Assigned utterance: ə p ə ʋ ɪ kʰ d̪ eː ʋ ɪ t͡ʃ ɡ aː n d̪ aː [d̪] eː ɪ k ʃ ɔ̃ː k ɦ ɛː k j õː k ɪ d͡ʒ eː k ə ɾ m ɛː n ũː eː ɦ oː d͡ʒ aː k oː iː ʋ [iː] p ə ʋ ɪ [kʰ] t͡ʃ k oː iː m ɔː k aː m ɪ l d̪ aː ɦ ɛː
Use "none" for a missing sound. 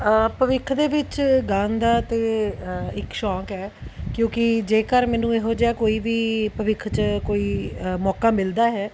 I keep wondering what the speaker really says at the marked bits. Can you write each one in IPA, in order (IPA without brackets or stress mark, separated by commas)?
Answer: t̪, iː, kʰ